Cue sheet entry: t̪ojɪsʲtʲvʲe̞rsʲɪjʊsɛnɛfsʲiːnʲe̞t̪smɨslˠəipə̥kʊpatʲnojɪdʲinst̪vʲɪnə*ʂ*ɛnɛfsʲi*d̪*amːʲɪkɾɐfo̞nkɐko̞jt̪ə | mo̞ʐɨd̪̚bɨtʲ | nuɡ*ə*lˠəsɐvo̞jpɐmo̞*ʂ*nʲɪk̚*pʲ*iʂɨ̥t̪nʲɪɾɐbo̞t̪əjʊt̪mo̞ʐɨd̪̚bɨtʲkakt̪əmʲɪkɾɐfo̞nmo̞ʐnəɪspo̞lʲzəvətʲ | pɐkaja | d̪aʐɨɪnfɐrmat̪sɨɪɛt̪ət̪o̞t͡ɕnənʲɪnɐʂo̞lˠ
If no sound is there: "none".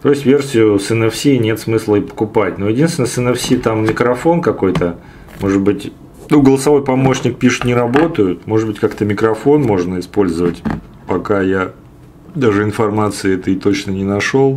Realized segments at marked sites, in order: s, t̪, ə, ɕ, pʲ

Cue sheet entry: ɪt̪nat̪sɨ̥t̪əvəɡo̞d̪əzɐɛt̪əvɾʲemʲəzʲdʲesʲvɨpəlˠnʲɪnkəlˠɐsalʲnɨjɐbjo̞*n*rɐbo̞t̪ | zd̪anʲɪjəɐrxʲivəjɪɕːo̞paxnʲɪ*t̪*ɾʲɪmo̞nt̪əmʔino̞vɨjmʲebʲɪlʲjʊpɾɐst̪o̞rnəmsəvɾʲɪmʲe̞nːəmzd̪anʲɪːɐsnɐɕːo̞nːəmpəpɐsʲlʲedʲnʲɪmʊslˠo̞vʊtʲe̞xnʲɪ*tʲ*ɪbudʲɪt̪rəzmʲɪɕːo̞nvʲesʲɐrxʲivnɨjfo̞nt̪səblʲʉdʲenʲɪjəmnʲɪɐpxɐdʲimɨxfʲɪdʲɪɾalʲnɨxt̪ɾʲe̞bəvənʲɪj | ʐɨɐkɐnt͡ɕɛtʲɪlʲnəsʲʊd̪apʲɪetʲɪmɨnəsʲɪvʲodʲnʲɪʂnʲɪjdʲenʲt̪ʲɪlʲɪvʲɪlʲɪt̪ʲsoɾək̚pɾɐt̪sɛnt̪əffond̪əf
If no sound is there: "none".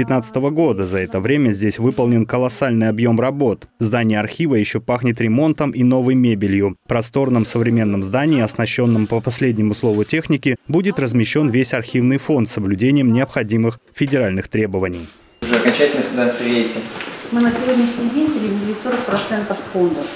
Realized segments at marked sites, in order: m, t̪, kʲ

